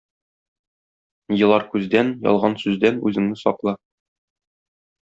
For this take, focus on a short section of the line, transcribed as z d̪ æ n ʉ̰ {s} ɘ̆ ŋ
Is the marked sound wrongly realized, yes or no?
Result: yes